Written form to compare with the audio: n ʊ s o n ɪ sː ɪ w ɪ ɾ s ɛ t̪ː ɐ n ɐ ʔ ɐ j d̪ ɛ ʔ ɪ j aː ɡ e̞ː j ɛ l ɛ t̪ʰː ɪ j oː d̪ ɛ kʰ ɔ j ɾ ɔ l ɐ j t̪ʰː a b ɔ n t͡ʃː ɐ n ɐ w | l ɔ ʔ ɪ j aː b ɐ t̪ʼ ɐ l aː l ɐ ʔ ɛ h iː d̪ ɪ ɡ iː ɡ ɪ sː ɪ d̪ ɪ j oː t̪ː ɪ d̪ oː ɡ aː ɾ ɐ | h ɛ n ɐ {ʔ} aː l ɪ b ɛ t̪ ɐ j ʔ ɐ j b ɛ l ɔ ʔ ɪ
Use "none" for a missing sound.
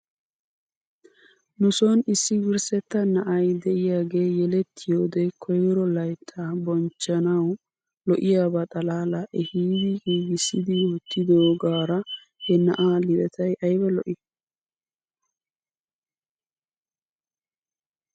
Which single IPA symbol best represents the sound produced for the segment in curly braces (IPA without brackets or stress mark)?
ʔ